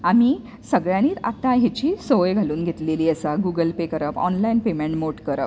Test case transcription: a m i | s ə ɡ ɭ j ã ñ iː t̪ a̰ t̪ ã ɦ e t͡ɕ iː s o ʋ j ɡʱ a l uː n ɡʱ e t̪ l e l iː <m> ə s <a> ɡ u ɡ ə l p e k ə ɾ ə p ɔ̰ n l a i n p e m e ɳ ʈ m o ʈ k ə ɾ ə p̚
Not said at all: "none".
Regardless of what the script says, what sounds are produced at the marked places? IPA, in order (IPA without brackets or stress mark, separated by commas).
none, a